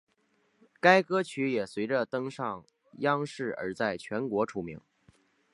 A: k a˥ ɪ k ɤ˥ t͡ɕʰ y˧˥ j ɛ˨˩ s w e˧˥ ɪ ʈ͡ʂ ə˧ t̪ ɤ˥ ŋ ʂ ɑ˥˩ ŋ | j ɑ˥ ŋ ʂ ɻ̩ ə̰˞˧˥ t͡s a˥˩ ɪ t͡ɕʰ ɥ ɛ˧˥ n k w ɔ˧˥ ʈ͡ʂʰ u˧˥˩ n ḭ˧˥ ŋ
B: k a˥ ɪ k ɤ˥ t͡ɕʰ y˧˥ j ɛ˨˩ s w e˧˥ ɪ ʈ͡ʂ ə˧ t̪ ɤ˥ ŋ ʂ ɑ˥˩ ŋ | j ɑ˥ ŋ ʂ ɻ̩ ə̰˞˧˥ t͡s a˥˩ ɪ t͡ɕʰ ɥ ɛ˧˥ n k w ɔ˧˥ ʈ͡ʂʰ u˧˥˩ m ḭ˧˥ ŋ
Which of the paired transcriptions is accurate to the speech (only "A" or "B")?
B